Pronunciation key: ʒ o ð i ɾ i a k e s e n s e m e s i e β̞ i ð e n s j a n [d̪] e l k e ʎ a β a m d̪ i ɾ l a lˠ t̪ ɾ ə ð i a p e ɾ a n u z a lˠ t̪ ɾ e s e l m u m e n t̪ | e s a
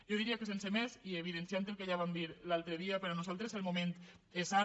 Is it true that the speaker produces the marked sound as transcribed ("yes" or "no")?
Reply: no